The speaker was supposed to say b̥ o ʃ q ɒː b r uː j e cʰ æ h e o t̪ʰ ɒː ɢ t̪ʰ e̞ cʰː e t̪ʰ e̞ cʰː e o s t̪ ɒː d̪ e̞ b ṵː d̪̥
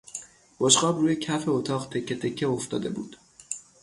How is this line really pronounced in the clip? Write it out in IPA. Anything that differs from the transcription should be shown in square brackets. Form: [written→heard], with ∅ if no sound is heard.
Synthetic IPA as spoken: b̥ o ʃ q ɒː b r uː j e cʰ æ [h→f] e o t̪ʰ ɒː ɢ t̪ʰ e̞ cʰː e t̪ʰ e̞ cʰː e o [s→f] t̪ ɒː d̪ e̞ b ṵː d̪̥